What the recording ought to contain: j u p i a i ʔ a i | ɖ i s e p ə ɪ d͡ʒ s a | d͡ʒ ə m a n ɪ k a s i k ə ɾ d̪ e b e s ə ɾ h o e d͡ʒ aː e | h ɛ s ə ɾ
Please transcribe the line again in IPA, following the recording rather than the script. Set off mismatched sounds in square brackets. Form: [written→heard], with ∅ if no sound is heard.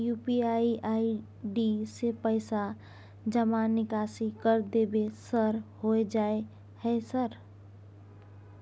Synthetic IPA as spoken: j u p i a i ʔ a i | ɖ i s e p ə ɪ [d͡ʒ→∅] s a | d͡ʒ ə m a n ɪ k a s i k ə ɾ d̪ e b e s ə ɾ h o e d͡ʒ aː e | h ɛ s ə ɾ